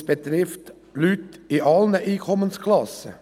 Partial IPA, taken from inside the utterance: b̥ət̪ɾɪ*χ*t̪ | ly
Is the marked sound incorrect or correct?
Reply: incorrect